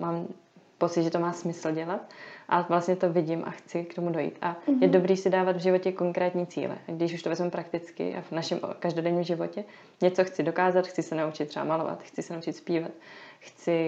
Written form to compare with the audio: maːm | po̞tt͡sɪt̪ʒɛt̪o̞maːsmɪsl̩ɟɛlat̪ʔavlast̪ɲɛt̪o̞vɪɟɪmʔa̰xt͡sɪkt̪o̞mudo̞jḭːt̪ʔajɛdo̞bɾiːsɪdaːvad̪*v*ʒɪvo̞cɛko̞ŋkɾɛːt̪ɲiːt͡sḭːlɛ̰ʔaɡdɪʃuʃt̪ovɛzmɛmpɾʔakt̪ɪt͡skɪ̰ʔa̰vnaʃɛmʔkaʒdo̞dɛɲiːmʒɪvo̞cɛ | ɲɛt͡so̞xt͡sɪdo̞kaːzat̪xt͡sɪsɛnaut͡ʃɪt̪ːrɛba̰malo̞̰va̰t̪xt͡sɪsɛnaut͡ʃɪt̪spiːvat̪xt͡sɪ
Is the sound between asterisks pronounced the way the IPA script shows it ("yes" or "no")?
yes